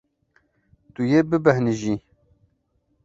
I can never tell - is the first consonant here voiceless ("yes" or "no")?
yes